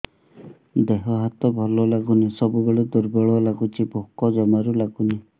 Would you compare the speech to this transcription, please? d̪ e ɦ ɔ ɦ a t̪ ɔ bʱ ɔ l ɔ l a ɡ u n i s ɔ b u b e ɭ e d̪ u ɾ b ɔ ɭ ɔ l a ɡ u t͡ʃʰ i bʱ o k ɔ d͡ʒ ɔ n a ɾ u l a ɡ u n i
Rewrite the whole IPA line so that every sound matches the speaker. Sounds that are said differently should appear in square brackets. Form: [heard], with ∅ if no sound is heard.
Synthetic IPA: d̪ e ɦ ɔ ɦ a t̪ ɔ bʱ ɔ l ɔ l a ɡ u n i s ɔ b u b e ɭ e d̪ u ɾ b ɔ ɭ ɔ l a ɡ u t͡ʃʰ i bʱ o k ɔ d͡ʒ ɔ [m] a ɾ u l a ɡ u n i